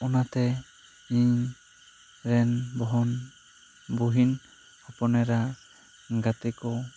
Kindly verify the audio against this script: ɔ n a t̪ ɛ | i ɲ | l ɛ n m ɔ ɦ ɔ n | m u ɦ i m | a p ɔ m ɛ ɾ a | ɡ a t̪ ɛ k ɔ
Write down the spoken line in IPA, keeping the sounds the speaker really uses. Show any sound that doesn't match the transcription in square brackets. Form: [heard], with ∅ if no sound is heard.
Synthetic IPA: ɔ n a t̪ ɛ | i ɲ | [ɾ] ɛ n [b] ɔ ɦ ɔ n | [b] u ɦ i [n] | a p ɔ [n] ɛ ɾ a | ɡ a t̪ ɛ k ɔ